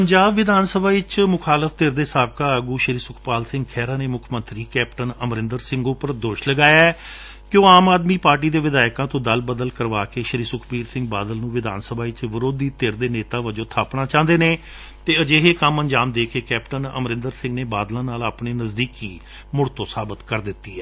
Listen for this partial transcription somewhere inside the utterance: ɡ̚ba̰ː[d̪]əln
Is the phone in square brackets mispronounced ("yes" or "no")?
no